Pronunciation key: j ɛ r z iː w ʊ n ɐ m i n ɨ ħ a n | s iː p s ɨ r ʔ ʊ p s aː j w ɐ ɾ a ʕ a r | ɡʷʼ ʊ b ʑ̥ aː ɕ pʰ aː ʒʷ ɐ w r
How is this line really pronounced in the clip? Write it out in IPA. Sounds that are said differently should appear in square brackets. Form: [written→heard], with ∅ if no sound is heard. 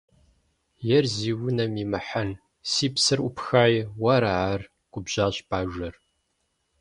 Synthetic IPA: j ɛ r z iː w ʊ n ɐ m i [n→m] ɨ ħ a n | s iː p s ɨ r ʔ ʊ p [s→x] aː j w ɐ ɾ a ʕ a r | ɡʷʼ ʊ b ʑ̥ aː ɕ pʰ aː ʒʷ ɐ [w→∅] r